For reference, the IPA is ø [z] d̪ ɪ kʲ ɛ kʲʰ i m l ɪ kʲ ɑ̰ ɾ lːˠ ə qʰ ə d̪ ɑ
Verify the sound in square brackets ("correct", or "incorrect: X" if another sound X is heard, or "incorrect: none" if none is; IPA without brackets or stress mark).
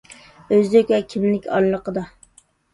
correct